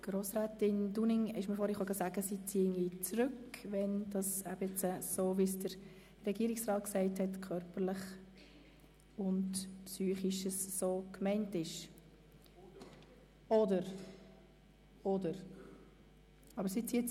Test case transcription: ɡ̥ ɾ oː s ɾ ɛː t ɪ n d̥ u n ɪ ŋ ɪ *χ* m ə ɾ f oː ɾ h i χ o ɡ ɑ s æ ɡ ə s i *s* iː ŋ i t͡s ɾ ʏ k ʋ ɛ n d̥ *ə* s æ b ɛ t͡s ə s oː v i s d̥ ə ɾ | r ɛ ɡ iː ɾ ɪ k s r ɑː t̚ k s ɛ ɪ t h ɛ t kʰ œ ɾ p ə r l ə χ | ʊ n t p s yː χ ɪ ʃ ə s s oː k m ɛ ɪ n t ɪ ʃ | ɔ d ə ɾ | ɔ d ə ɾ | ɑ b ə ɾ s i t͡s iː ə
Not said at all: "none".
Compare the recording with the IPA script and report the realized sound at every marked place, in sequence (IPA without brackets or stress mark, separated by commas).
ʃ, t͡s, ɑ